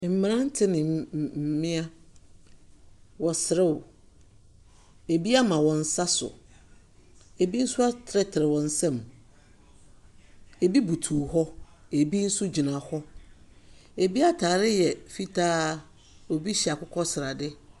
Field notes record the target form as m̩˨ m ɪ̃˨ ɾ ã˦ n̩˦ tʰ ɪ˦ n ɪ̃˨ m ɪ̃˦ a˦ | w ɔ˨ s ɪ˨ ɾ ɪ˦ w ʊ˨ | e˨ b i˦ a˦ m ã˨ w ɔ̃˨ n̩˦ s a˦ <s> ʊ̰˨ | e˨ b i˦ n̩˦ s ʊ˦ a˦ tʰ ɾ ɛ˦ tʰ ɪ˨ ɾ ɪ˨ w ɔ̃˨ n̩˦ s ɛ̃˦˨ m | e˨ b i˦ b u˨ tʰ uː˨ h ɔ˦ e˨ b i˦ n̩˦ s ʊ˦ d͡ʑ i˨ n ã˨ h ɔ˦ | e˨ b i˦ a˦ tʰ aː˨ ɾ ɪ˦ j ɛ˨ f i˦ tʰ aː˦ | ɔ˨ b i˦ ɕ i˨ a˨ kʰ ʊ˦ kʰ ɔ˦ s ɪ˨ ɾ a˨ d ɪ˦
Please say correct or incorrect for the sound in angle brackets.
correct